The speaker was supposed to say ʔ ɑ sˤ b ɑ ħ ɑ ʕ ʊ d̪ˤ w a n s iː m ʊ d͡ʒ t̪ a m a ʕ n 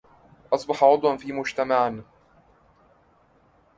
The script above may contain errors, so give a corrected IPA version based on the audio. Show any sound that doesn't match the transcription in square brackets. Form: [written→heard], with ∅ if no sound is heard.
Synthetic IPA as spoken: ʔ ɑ sˤ b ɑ ħ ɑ ʕ ʊ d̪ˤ w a n [s→f] iː m ʊ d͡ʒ t̪ a m a ʕ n

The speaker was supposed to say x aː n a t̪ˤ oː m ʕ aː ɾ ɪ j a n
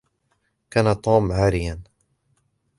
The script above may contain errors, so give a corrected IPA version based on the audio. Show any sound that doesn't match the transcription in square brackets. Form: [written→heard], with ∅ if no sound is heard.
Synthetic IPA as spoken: [x→k] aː n a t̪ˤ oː m ʕ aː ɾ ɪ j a n

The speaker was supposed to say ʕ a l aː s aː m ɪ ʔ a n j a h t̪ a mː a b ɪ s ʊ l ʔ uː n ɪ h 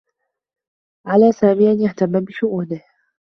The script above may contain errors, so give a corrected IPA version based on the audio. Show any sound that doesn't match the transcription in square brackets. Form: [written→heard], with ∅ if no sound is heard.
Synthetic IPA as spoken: ʕ a l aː s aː m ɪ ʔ a n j a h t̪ a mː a b ɪ [s→ʃ] ʊ [l→∅] ʔ uː n ɪ h

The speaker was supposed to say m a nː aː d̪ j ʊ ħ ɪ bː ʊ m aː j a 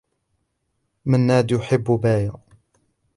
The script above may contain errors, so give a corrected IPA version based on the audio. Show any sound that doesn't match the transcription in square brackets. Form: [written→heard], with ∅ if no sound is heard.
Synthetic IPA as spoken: m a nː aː d̪ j ʊ ħ ɪ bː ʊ [m→b] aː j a

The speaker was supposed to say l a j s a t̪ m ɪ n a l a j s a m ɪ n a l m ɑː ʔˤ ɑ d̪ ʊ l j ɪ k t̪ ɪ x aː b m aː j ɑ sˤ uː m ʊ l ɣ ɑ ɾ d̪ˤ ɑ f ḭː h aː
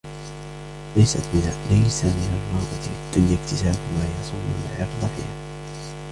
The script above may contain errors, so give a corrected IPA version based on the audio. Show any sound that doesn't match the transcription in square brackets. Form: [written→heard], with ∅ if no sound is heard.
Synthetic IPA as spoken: l a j s a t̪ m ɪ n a l a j s a m ɪ n a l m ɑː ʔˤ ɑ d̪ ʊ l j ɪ k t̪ ɪ [x→s] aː b m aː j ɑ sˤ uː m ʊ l [ɣ→ʕ] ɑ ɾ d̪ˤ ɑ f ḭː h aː

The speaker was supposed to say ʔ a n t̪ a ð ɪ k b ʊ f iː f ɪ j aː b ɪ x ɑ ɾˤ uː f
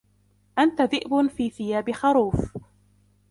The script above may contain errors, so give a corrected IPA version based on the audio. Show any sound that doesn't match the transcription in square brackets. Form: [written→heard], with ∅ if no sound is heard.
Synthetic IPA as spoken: ʔ a n t̪ a ð ɪ [k→ʔ] b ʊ f iː [f→θ] ɪ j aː b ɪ x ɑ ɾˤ uː f

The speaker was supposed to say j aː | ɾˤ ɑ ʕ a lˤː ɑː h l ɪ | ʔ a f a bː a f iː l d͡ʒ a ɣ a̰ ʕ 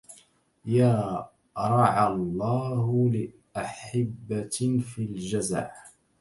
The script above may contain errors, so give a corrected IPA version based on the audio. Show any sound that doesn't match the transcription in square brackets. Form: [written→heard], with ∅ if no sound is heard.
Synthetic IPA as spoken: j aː | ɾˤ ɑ ʕ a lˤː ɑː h l ɪ | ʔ a [f→ħ] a bː a f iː l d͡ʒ a [ɣ→z] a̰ ʕ

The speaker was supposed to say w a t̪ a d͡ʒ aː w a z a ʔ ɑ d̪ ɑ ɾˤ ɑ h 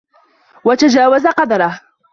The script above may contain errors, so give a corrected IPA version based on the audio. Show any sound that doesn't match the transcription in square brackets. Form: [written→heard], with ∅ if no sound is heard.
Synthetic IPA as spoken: w a t̪ a d͡ʒ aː w a z a [ʔ→q] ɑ d̪ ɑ ɾˤ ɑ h

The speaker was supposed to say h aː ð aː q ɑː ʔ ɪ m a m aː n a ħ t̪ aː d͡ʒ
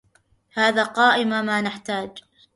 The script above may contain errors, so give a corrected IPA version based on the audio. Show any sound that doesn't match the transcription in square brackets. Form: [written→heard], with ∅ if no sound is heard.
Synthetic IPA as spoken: h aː ð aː q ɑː ʔ ɪ m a m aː n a ħ t̪ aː d͡ʒ

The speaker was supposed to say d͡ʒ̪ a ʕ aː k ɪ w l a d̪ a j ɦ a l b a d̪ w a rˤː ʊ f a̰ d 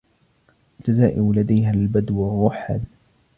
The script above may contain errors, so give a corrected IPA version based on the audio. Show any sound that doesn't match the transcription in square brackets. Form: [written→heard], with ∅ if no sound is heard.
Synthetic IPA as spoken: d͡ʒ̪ a [ʕ→z] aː [k→ʔ] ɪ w l a d̪ a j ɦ a l b a d̪ w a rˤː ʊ [f→ħ] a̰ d

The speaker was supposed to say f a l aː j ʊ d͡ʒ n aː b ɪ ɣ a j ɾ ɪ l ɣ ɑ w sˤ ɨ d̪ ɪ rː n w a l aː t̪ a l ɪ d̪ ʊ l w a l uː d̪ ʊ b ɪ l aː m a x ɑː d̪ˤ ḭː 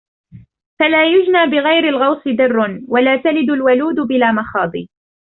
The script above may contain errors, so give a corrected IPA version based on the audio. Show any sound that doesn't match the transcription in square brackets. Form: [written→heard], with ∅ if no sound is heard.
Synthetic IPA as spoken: f a l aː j ʊ d͡ʒ n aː b ɪ ɣ a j ɾ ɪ l ɣ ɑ w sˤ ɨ d̪ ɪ rː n w a l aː t̪ a l ɪ d̪ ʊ l w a l uː d̪ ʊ b ɪ l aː m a x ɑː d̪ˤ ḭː

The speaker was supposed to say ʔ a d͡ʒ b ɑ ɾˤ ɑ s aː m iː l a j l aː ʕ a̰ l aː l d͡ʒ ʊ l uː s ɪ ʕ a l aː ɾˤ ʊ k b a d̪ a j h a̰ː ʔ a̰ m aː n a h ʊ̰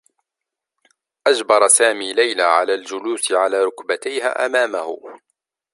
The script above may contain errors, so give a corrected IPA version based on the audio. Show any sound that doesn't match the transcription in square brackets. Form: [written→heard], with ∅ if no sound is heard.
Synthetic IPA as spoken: ʔ a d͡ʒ b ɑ ɾˤ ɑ s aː m iː l a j l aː ʕ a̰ l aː l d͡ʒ ʊ l uː s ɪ ʕ a l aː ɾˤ ʊ k b a [d̪→t̪] a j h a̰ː ʔ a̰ m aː [n→m] a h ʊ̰

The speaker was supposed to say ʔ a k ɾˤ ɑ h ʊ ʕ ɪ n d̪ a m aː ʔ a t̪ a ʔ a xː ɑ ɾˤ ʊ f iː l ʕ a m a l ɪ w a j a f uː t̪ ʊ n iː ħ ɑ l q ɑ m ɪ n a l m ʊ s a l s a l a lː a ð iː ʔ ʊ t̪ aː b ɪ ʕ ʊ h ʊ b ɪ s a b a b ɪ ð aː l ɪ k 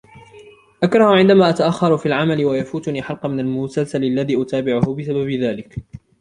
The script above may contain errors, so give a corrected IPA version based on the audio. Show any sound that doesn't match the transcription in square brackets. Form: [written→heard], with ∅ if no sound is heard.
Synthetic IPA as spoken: ʔ a k ɾˤ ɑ h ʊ ʕ ɪ n d̪ a m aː ʔ a t̪ a ʔ a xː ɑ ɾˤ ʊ f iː l ʕ a m a l ɪ w a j a f uː t̪ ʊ n iː ħ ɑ l q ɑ m ɪ n a l m ʊ s a l s a l a lː a ð iː ʔ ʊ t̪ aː b ɪ ʕ ʊ h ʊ b ɪ s a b a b ɪ ð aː l ɪ k

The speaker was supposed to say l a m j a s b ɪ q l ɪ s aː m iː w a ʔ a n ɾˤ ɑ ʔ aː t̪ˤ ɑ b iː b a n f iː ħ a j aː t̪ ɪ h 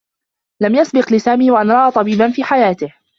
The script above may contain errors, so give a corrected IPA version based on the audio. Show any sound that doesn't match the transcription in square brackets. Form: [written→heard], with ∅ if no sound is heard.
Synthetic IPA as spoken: l a m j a s b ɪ q l ɪ s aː m iː w a ʔ a n ɾˤ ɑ ʔ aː t̪ˤ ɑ b iː b a n f iː ħ a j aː t̪ ɪ h

